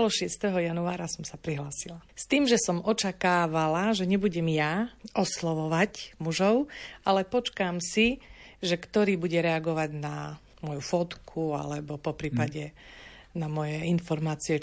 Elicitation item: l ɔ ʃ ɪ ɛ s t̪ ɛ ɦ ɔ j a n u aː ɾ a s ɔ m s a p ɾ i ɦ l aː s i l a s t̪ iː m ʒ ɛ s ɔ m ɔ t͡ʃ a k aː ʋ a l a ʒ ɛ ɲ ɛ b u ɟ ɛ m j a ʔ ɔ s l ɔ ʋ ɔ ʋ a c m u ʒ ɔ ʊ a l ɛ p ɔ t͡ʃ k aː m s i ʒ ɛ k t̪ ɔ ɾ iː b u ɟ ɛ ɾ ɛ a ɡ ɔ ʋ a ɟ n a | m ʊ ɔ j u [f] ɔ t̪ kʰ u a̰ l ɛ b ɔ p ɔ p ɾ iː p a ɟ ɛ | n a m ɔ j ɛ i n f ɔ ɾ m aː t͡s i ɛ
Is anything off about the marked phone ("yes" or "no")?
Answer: no